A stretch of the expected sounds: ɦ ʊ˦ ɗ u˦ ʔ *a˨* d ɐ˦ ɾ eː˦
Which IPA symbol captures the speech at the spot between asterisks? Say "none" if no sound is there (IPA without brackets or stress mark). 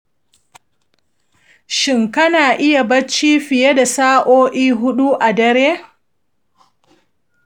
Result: a˨